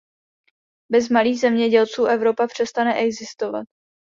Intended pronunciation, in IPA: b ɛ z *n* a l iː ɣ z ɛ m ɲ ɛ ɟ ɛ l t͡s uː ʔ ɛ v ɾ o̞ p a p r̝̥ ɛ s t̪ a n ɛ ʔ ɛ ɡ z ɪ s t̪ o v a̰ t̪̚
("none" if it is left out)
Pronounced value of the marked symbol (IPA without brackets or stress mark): m